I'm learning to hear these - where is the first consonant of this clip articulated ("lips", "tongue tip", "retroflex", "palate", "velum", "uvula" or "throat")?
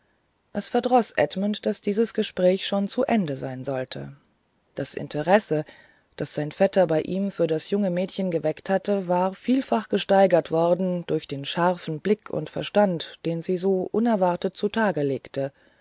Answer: throat